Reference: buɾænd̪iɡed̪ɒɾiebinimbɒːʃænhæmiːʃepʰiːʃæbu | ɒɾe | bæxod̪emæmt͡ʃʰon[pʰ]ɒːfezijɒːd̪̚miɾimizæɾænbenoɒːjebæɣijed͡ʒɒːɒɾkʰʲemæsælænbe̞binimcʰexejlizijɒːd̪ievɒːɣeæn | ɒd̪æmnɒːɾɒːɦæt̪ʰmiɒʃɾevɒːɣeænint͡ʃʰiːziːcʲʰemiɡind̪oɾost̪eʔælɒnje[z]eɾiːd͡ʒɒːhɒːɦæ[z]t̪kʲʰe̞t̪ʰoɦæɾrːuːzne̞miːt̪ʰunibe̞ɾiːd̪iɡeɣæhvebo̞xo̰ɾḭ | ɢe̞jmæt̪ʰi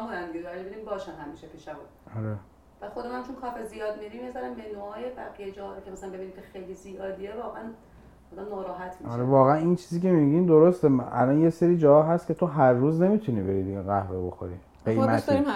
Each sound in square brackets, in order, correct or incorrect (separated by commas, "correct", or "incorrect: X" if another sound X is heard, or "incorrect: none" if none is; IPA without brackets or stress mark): incorrect: kʰ, incorrect: s, incorrect: s